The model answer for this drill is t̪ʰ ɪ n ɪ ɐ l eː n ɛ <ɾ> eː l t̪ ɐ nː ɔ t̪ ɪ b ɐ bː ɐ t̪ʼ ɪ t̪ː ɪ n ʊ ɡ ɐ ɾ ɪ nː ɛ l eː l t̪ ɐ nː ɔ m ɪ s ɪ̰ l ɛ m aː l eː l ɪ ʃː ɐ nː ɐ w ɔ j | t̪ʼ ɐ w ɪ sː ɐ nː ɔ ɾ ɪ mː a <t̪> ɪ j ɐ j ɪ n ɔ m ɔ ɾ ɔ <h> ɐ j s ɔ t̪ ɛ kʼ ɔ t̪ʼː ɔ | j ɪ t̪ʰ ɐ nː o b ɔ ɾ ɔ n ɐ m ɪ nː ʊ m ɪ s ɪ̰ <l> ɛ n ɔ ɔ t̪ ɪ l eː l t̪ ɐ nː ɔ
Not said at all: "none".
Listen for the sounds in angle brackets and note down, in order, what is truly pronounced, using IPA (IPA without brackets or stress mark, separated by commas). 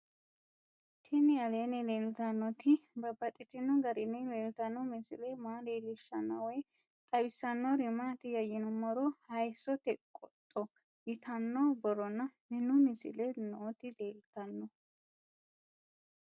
l, t̪, h, l